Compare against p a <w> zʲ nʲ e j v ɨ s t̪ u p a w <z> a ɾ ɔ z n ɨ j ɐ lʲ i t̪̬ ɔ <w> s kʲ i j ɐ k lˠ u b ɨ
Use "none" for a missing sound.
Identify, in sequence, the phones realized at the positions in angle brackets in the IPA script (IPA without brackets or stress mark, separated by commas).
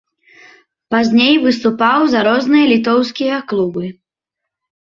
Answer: none, z, w